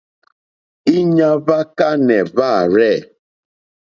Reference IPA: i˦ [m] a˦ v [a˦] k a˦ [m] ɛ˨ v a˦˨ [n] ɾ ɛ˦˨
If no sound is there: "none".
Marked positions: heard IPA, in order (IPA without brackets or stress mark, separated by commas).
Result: ɲ, a˦, n, none